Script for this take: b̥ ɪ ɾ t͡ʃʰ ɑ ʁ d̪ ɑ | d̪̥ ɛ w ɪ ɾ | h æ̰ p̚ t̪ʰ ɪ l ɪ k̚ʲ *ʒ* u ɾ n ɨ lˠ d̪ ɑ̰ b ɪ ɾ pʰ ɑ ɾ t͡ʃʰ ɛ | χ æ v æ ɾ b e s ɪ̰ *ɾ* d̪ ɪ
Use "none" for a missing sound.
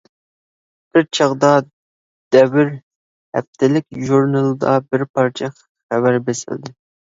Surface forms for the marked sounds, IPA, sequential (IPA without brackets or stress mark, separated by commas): ʒ, l